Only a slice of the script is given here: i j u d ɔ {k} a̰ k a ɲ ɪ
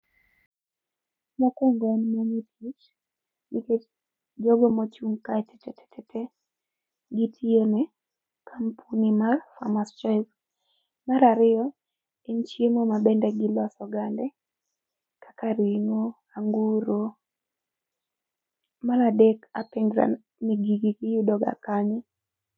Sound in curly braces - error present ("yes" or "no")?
yes